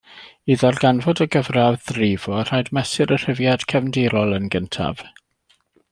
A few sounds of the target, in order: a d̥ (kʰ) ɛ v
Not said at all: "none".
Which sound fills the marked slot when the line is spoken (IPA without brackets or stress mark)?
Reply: kʰ